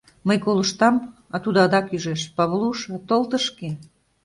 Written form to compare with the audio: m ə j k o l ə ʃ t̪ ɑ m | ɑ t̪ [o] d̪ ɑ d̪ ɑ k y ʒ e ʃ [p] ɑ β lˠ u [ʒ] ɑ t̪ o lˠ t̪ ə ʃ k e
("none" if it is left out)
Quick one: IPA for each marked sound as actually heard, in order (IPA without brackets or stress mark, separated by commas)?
u, p, ʃ